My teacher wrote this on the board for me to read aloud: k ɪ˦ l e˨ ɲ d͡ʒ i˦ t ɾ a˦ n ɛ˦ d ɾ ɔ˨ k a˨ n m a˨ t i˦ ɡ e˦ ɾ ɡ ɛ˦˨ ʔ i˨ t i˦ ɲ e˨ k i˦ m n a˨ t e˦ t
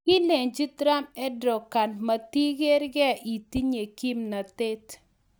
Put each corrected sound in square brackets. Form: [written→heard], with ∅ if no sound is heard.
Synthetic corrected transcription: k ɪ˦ l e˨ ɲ d͡ʒ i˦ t ɾ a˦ [n→m] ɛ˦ d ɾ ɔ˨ k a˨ n m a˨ t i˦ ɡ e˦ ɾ ɡ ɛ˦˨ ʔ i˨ t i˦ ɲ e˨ k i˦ m n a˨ t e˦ t